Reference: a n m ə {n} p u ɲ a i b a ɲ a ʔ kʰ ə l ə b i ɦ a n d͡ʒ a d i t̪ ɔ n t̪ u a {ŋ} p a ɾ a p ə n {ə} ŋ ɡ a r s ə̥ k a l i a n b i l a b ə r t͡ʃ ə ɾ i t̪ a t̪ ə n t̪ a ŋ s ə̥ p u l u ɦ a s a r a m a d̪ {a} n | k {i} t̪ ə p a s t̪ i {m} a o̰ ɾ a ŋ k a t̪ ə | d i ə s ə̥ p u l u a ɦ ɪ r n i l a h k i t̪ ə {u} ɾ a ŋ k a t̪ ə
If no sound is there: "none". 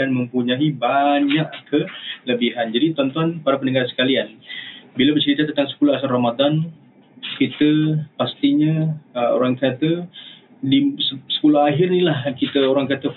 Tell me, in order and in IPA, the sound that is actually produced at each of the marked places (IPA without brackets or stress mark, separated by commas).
m, n, ə, a, i, ɲ, o